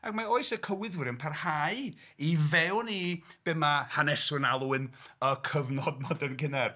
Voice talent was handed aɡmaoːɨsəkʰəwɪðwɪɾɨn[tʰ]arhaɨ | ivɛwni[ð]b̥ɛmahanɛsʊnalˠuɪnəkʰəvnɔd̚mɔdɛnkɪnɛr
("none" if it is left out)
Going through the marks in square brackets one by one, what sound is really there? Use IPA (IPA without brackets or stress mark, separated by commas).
pʰ, none